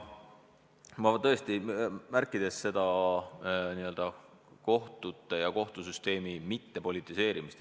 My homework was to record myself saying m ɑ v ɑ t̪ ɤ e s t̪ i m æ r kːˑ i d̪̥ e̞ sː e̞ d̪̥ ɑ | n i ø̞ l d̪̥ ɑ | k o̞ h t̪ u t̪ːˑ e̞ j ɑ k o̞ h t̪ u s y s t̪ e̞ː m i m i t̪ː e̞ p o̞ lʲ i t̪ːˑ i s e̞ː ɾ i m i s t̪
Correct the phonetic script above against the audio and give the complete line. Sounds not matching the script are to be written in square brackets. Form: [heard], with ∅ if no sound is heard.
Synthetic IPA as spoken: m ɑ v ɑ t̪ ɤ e s t̪ i m æ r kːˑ i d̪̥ e̞ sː e̞ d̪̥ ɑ | n i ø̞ l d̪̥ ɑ | k o̞ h t̪ u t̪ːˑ e̞ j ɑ k o̞ h t̪ u s y s t̪ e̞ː m i m i t̪ː e̞ p o̞ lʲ i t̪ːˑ i s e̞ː ɾ i m i s t̪

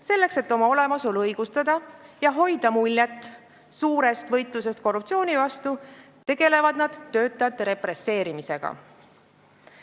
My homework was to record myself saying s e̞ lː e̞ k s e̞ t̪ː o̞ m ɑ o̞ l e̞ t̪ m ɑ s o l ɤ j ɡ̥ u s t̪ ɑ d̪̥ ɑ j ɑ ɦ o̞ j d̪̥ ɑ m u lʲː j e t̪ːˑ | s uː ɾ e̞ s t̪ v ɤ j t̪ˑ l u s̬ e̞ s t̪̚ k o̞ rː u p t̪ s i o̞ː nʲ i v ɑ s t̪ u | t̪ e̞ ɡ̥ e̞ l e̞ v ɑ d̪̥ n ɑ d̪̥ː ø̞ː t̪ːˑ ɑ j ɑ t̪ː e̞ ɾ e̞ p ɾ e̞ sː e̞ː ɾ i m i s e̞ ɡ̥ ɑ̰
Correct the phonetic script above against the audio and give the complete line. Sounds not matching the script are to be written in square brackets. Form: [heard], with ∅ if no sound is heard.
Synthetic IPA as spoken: s e̞ lː e̞ k s e̞ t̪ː o̞ m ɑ o̞ l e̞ [∅] m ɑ s o l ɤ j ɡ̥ u s t̪ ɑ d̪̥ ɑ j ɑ ɦ o̞ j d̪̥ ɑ m u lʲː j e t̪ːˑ | s uː ɾ e̞ s t̪ v ɤ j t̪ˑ l u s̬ e̞ s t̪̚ k o̞ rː u p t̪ s i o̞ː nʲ i v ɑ s t̪ u | t̪ e̞ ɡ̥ e̞ l e̞ v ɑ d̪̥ n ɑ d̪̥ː ø̞ː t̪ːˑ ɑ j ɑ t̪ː e̞ ɾ e̞ p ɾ e̞ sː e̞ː ɾ i m i s e̞ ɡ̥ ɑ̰

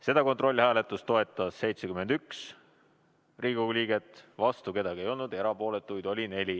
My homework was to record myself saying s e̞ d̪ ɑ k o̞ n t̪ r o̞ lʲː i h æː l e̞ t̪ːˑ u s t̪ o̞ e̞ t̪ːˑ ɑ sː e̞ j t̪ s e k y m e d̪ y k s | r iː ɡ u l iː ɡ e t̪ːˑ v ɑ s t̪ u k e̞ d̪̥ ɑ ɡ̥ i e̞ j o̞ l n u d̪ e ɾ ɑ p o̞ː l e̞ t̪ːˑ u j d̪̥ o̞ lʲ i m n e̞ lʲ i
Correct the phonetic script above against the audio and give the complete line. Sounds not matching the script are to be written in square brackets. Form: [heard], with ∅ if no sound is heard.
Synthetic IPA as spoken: s e̞ d̪ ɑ k o̞ n t̪ r o̞ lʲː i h æː l e̞ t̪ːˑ u s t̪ o̞ e̞ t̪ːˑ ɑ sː e̞ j t̪ s e k y m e d̪ y k s | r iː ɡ u l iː ɡ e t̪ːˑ v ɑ s t̪ u k e̞ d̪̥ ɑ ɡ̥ i e̞ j o̞ l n u d̪ e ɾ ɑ p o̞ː l e̞ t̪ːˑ u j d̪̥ o̞ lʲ i [∅] n e̞ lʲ i

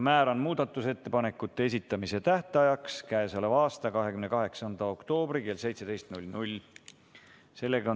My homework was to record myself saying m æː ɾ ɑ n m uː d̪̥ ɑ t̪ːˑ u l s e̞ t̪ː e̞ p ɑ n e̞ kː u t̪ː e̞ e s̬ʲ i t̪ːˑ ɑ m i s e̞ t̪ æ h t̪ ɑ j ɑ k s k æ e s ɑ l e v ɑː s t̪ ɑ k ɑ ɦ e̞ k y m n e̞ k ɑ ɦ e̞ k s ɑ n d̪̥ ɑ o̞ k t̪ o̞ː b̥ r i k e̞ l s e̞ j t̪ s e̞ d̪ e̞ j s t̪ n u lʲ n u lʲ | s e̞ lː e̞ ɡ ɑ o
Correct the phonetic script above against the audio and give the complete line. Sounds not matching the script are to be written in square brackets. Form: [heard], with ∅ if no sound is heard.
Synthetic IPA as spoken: m æː ɾ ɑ n m uː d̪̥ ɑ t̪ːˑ u [∅] s e̞ t̪ː e̞ p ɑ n e̞ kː u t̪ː e̞ e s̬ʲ i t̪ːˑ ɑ m i s e̞ t̪ æ h t̪ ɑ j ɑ k s k æ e s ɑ l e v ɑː s t̪ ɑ k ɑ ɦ e̞ k y m n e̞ k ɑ ɦ e̞ k s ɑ n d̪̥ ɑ o̞ k t̪ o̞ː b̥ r i k e̞ l s e̞ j t̪ s e̞ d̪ e̞ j s t̪ n u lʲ n u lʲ | s e̞ lː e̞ ɡ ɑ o

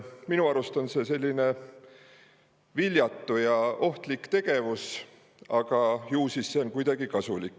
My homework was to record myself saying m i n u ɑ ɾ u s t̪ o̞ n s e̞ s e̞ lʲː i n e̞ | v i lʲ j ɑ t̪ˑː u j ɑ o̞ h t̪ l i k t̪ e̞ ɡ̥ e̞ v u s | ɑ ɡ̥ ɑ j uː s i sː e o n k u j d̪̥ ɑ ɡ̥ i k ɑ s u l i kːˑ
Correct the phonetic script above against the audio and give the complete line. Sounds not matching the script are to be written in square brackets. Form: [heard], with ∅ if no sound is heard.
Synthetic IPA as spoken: m i n u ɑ ɾ u s t̪ o̞ n s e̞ s e̞ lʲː i n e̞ | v i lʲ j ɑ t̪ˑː u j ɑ o̞ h t̪ l i k t̪ e̞ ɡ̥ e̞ v u s | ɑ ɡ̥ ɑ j uː s i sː e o n k u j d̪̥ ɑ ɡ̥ i k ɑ s u l i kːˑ

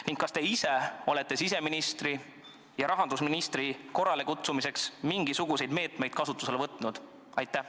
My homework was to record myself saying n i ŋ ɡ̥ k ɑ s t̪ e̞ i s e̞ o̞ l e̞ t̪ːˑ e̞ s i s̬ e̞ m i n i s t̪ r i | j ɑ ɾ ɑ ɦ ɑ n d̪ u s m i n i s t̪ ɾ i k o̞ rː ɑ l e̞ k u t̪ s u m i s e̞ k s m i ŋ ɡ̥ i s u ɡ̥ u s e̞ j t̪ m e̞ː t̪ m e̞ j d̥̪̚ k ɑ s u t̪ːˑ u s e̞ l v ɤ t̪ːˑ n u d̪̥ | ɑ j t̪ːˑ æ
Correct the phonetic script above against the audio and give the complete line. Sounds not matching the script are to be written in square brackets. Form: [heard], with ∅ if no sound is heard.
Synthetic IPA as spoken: n i ŋ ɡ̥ k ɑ s t̪ e̞ i s e̞ o̞ l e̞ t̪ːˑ e̞ s i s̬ e̞ m i n i s t̪ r i | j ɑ ɾ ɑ ɦ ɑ n d̪ u s m i n i s t̪ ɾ i k o̞ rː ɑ l e̞ k u t̪ s u m i s e̞ k s m i ŋ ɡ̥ i s u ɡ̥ u s e̞ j [d̪] m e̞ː t̪ m e̞ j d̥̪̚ k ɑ s u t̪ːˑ u s e̞ l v ɤ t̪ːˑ n u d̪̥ | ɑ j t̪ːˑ æ

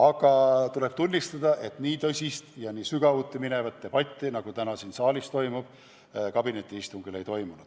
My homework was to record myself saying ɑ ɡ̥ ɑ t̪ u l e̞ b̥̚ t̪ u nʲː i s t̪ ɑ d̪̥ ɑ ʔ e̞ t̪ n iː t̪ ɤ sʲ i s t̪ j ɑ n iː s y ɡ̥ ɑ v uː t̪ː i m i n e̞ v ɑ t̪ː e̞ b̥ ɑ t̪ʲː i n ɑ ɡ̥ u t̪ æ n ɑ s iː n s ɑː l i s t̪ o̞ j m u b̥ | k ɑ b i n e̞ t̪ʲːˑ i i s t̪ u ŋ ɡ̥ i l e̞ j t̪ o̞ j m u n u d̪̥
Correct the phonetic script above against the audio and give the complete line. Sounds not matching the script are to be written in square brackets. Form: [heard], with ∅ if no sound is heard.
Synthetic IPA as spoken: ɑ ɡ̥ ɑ t̪ u l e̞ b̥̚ t̪ u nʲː i s t̪ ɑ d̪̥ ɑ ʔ e̞ t̪ n iː t̪ ɤ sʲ i s t̪ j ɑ n iː s y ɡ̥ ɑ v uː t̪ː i m i n e̞ v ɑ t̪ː e̞ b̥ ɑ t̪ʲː i n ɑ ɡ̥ u t̪ æ n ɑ s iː n s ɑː l i s t̪ o̞ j m u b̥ | k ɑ b i n e̞ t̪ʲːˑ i i s t̪ u ŋ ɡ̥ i l e̞ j t̪ o̞ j m u n u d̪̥

